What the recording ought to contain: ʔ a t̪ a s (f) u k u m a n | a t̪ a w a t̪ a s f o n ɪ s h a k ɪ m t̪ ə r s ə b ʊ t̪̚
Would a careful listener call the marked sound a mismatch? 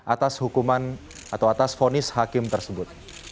yes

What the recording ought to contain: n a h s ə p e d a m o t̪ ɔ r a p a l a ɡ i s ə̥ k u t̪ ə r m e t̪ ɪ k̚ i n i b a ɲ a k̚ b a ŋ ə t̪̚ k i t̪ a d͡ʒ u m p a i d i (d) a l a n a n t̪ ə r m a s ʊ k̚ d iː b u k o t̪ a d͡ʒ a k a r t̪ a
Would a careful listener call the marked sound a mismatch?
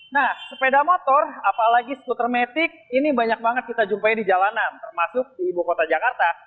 yes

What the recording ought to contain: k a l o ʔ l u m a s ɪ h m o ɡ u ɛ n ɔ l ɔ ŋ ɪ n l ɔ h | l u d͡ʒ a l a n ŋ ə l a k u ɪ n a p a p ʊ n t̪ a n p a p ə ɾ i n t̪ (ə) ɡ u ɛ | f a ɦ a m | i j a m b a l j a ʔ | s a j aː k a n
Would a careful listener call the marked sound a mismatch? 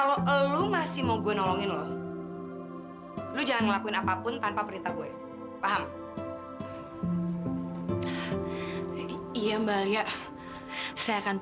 yes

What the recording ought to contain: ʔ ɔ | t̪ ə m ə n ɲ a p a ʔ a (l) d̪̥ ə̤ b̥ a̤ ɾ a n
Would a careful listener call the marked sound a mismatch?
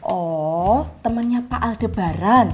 no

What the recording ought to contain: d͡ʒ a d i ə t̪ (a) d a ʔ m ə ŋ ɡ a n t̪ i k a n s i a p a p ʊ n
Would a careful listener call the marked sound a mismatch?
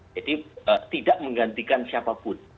yes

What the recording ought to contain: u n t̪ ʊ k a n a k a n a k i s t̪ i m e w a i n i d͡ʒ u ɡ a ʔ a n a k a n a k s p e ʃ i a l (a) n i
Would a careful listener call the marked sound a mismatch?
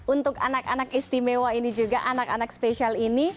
yes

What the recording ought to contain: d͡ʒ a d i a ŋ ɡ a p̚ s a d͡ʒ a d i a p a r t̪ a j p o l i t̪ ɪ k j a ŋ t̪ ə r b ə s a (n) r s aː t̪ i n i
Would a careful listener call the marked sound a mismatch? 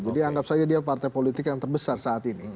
yes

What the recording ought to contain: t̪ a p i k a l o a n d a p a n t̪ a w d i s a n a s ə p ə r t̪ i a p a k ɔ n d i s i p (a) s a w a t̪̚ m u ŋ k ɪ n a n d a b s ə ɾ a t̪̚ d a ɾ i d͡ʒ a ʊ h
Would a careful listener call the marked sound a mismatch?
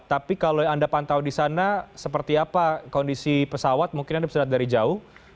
yes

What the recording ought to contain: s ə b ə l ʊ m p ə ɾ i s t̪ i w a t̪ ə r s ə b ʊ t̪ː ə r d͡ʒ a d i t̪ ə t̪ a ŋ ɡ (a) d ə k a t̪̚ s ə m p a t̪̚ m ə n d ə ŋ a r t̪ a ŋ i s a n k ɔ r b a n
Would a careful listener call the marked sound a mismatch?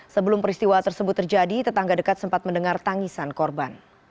no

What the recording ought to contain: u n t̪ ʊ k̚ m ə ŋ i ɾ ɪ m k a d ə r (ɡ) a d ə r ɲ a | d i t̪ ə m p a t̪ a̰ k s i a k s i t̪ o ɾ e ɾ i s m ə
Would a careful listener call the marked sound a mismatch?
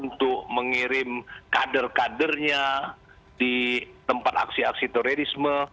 yes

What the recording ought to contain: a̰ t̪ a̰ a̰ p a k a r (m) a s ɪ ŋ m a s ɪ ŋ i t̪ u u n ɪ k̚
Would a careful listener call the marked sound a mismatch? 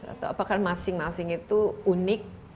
no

